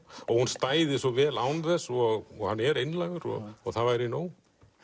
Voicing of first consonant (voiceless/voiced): voiced